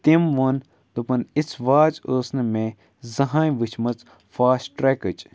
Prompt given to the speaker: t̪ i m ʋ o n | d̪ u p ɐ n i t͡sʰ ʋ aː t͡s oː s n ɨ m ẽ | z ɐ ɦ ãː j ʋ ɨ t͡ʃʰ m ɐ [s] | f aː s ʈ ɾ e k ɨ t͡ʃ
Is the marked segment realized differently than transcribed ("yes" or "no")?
yes